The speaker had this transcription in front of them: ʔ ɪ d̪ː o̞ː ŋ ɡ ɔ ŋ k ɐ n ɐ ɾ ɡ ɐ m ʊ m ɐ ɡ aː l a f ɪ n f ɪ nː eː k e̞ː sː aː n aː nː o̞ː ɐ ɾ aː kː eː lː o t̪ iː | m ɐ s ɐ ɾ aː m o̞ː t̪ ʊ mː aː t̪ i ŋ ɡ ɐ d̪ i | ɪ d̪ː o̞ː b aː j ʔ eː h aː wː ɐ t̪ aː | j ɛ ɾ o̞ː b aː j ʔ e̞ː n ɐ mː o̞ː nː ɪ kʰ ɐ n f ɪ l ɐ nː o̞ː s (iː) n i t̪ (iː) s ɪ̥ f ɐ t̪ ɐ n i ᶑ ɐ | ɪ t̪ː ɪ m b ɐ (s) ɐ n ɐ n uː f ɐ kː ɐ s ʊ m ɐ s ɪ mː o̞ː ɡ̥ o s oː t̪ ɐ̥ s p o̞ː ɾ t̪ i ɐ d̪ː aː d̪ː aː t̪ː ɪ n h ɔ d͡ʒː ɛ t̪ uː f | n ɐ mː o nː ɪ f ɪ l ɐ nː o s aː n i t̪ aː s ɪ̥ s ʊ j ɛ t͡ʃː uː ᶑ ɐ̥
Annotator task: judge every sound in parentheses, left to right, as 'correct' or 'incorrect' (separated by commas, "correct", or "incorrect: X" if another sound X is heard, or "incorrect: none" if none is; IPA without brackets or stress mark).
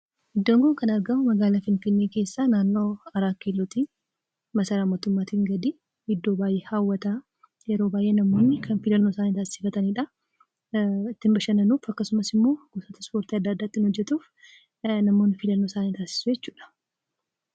incorrect: aː, incorrect: aː, incorrect: ʃ